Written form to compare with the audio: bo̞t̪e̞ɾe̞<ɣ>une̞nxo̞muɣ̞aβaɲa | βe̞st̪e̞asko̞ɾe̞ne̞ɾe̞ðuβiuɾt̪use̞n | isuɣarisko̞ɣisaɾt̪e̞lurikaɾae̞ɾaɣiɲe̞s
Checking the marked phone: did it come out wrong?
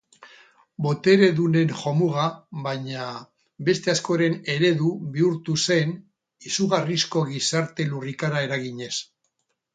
yes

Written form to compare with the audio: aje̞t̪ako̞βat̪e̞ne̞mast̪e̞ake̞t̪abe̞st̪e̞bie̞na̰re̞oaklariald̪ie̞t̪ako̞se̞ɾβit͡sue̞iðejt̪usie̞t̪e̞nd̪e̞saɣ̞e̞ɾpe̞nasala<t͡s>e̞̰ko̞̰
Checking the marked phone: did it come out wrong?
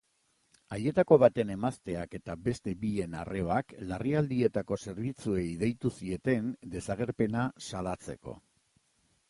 no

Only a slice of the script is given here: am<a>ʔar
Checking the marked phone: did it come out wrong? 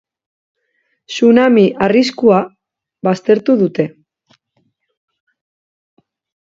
yes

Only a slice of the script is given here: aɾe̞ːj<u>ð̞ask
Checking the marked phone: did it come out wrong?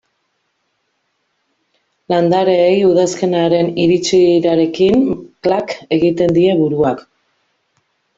no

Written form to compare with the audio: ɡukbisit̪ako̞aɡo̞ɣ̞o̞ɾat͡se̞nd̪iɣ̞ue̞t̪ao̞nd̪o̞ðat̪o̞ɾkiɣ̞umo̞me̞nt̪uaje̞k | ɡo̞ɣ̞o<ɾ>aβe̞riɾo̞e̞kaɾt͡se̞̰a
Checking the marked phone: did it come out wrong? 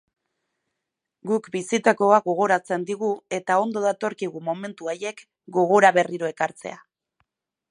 no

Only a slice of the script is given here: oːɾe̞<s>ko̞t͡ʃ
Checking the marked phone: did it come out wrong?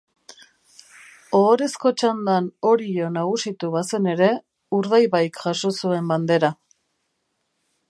no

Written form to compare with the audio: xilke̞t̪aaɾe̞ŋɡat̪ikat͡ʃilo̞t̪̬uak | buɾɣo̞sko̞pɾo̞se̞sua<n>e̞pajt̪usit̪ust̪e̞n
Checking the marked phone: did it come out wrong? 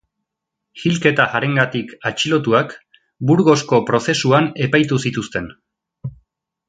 no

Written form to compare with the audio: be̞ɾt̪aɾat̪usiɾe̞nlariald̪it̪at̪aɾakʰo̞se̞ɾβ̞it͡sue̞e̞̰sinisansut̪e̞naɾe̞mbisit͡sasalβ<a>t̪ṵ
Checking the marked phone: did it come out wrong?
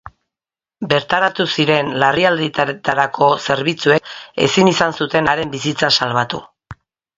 no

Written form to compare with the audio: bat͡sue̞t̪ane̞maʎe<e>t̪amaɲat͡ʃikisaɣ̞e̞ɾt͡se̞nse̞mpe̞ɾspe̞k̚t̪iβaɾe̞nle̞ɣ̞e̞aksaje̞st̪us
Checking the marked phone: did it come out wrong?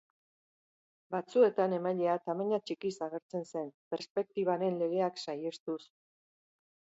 yes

